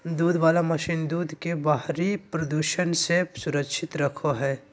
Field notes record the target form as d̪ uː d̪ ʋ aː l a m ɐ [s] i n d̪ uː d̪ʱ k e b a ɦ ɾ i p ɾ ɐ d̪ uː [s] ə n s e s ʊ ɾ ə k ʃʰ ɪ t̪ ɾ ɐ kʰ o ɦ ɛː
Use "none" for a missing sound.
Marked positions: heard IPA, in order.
ʃ, ʃ

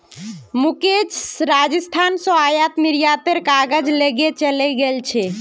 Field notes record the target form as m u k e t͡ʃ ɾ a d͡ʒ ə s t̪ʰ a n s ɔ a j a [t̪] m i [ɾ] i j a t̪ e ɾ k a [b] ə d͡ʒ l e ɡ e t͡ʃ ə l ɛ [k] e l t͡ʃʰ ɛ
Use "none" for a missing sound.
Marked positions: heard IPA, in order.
t̪, ɾ, ɡ, ɡ

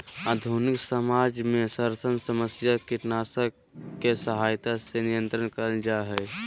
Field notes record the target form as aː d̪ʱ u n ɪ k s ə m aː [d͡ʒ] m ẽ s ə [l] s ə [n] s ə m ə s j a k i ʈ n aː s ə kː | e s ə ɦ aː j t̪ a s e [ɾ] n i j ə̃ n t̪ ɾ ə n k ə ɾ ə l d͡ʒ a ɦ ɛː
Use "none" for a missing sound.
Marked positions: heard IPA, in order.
d͡ʒ, ɾ, n, none

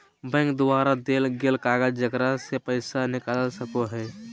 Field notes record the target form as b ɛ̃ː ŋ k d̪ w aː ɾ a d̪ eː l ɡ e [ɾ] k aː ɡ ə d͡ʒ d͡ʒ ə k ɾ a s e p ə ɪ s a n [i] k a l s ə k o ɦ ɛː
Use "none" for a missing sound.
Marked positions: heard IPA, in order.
l, ɪ

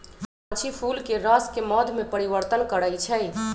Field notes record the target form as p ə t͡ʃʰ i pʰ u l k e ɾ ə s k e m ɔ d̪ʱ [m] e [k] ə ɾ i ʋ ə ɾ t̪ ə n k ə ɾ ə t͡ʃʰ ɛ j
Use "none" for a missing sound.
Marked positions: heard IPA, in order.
m, p

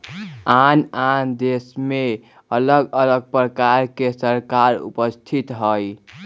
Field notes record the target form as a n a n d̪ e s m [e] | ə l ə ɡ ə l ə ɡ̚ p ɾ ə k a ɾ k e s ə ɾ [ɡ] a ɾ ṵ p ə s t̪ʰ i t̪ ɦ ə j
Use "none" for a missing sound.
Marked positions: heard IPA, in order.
e, k

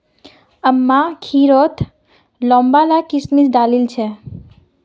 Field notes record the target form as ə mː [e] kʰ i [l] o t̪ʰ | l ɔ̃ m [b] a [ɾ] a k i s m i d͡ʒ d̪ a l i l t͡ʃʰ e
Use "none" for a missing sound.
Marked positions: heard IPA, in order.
a, ɾ, b, l

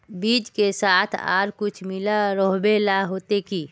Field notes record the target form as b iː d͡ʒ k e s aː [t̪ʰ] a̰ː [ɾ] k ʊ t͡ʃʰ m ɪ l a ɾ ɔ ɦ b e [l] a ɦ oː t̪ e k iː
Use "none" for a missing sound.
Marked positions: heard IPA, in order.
t̪ʰ, ɾ, l

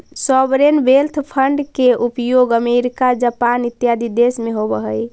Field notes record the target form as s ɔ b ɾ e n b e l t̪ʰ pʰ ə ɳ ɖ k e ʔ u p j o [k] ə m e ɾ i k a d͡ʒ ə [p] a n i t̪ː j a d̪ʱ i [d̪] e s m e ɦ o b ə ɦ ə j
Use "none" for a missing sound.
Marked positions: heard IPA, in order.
ɡ, p, d̪

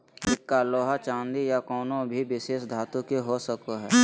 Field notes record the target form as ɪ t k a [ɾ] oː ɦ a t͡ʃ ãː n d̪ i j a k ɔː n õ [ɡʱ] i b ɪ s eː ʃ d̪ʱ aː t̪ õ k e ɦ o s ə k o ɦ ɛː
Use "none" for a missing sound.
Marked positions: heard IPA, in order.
l, bʱ

